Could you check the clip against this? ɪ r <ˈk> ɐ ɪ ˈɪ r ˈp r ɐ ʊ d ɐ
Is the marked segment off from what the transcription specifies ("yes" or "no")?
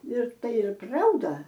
yes